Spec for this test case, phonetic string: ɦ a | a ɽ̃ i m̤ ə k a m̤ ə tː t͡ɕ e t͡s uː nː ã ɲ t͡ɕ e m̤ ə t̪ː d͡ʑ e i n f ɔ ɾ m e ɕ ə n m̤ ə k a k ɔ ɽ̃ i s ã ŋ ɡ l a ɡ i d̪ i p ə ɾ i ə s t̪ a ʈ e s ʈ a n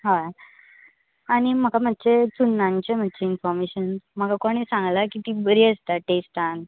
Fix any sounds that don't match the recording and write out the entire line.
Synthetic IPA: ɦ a | a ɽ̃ i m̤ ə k a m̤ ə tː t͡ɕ e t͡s u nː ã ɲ t͡ɕ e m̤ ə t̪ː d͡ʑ e i n f ɔ ɾ m e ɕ ə n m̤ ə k a k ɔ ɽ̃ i s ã ŋ ɡ l a k i t̪ i b ə ɾ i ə s t̪ a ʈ e s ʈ a n

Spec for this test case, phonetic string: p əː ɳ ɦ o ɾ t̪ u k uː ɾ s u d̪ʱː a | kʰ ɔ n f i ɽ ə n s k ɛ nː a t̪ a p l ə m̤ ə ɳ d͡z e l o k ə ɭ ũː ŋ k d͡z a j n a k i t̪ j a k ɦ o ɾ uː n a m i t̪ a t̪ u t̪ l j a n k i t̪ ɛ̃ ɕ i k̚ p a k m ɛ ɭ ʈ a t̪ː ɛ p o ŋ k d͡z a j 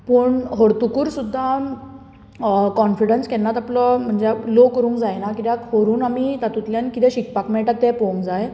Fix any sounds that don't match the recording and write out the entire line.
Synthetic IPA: p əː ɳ ɦ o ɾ t̪ u k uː ɾ s u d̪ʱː a | k ɔ n f i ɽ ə n s k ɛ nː a t̪ a p l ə m̤ ə ɳ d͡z e l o k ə ɾ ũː ŋ k d͡z a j n a k i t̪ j a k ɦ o ɾ uː n a m i t̪ a t̪ u t̪ l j a n k i t̪ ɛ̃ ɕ i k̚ p a k m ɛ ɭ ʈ a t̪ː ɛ p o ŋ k d͡z a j

